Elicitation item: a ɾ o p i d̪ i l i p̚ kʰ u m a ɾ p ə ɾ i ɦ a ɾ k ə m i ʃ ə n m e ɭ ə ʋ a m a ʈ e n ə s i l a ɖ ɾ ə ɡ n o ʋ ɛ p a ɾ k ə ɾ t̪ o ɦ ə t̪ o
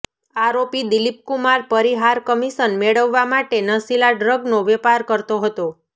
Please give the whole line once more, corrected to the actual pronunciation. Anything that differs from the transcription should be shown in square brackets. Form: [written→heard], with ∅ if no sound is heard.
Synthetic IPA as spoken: a ɾ o p i d̪ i l i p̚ [kʰ→k] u m a ɾ p ə ɾ i ɦ a ɾ k ə m i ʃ ə n m e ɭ ə [ʋ→ʋː] a m a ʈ e n ə s i l a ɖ ɾ ə ɡ n o ʋ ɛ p a ɾ k ə ɾ t̪ o ɦ ə t̪ o